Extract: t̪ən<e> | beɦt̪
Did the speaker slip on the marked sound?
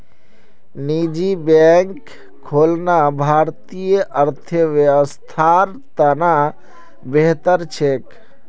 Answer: yes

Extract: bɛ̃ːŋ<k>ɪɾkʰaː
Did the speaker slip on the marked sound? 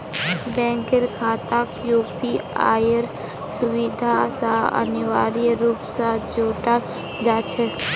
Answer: no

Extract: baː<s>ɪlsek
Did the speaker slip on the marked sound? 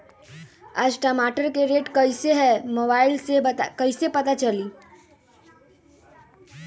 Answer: yes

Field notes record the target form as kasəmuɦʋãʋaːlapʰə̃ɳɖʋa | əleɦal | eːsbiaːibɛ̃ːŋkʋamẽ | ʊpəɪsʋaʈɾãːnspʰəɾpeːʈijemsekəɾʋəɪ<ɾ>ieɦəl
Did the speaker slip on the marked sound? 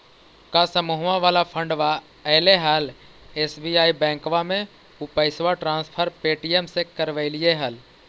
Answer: yes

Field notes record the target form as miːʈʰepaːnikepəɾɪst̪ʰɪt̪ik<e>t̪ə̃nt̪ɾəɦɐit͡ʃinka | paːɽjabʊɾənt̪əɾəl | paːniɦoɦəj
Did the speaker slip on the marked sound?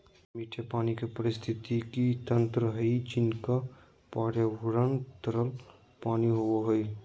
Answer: yes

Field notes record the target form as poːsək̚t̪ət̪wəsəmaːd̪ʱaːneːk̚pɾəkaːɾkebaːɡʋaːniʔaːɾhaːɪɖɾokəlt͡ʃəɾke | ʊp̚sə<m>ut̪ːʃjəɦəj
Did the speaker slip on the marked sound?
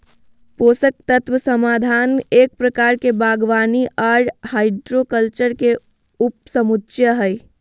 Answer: no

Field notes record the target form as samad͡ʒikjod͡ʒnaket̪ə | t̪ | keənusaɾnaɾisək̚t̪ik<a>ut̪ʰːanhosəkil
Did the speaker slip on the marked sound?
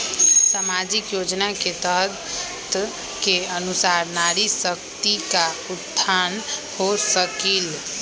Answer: no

